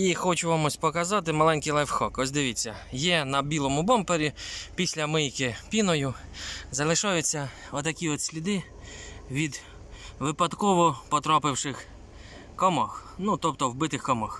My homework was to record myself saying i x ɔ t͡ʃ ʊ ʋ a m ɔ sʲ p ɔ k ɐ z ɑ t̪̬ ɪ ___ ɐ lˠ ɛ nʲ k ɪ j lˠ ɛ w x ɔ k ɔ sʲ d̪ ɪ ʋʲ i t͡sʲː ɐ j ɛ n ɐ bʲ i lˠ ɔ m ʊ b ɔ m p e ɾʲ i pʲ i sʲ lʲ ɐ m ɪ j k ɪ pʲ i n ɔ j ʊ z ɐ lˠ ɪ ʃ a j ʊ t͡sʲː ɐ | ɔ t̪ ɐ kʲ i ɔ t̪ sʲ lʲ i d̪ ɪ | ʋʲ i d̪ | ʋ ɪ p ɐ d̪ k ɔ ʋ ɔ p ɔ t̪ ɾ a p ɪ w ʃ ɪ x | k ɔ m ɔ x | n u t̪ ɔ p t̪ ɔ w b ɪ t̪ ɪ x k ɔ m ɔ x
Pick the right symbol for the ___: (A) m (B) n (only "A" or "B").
A